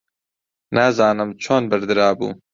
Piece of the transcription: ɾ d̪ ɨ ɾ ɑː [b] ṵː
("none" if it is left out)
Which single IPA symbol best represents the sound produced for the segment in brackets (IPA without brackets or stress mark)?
b